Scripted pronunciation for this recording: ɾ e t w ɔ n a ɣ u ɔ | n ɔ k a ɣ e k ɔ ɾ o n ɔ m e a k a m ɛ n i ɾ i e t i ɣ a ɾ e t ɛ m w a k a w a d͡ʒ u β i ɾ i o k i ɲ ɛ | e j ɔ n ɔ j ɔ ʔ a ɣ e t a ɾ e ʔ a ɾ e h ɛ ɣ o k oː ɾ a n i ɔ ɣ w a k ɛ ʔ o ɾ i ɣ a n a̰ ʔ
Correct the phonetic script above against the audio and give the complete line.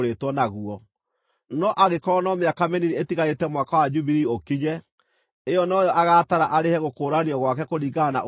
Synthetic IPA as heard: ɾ e t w ɔ n a ɣ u ɔ | n ɔ ʔ a ɣ e k ɔ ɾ ɔ n ɔ m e a k a m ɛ n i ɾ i e t i ɣ a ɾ e t ɛ m w a k a w a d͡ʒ u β i ɾ i o k i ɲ ɛ | e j ɔ n ɔ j ɔ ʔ a ɣ a t a ɾ a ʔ a ɾ e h ɛ ɣ o k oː ɾ a n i ɔ ɣ w a k ɛ k o ɾ i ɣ a n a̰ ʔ

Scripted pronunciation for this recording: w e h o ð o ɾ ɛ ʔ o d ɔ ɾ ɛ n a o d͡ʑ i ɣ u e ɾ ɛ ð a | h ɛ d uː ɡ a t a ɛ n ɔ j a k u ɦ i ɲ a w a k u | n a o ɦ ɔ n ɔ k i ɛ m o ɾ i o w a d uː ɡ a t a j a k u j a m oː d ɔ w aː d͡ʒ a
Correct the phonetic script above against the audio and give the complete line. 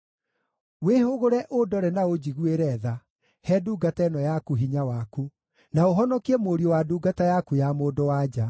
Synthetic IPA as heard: w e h o ɣ o ɾ ɛ ʔ o d ɔ ɾ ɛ n a o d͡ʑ i ɣ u e ɾ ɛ ð a | h ɛ d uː ɡ a t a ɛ n ɔ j a k u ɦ i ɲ a w a k u | n a o ɦ ɔ n ɔ k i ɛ m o ɾ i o w a d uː ɡ a t a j a k u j a m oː d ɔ w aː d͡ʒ a

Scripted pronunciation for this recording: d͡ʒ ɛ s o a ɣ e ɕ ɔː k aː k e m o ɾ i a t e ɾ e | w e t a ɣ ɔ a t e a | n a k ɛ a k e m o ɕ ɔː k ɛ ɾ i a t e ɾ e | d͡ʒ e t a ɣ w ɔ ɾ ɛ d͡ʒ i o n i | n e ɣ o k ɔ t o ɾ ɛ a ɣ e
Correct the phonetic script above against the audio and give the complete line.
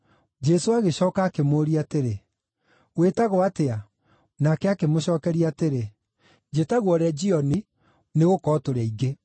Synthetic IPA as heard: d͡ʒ ɛ s o a ɣ e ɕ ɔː k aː k e m o ɾ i a t e ɾ e | w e t a ɣ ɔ a t e a | n a k ɛ a k e m o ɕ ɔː k ɛ ɾ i a t e ɾ e | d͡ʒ e t a ɣ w ɔ ɾ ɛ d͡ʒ i ɔ n i | n e ɣ o k ɔ t o ɾ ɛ i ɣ e

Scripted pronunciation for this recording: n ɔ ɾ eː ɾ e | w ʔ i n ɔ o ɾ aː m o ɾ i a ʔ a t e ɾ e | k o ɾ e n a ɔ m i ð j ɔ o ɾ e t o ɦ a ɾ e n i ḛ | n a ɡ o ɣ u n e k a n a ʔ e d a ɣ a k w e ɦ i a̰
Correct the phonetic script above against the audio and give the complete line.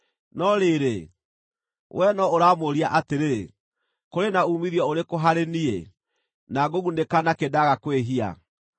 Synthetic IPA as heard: n ɔ ɾ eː ɾ e | w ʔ ɛ n ɔ o ɾ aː m o ɾ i a ʔ a t e ɾ e | k o ɾ e n a u m i ð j ɔ o ɾ e k o ɦ a ɾ e n i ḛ | n a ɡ o ɣ u n e k a n a k e d a ɣ a k w e ɦ i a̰

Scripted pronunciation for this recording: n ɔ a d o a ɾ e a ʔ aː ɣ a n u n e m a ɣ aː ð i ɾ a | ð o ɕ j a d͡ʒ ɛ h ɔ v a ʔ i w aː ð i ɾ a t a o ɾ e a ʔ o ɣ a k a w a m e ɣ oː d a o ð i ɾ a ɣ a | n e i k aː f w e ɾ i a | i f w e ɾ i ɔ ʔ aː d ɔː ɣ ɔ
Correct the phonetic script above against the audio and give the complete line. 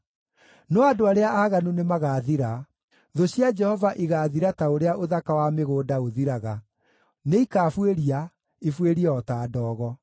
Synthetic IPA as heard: n ɔ a d o a ɾ e a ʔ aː ɣ a n u n e m a ɣ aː ð i ɾ a | ð o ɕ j a d͡ʒ ɛ h ɔ v a ʔ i ɣ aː ð i ɾ a t a o ɾ e a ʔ o ð a k a w a m e ɣ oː d a o ð i ɾ a ɣ a | n e i k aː f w e ɾ i a | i f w e ɾ i ɔ t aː d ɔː ɣ ɔ

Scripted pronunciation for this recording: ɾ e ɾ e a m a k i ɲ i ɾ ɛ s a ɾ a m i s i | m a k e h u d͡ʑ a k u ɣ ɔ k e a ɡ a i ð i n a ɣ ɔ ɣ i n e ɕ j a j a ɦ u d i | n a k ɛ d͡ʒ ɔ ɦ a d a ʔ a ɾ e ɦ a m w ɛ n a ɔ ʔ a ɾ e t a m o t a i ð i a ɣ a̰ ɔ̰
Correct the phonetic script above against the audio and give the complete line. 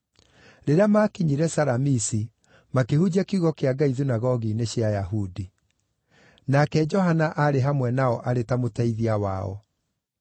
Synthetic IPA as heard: ɾ e ɾ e a m a k i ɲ i ɾ ɛ s a ɾ a m i s i | m a k e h u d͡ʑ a k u ɣ ɔ k e a ɡ a i ð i n a ɣ ɔ ɣ i n e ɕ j a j a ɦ u d i | n a k ɛ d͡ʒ ɔ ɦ a n a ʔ a ɾ e ɦ a m w ɛ n a ɔ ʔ a ɾ e t a m o t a i ð i a w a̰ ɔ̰

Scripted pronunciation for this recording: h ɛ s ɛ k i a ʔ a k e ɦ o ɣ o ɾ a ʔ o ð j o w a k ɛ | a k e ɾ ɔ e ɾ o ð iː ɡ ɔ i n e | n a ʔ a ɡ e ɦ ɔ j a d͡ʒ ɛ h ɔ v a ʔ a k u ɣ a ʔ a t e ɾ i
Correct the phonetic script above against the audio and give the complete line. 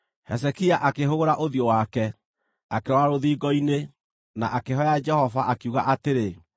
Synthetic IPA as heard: h ɛ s ɛ k i a ʔ a k e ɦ o ɣ o ɾ a ʔ o ð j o w a k ɛ | a k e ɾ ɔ a ɾ o ð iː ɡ ɔ i n e | n a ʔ a k e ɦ ɔ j a d͡ʒ ɛ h ɔ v a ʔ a k u ɣ a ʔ a t e ɾ e

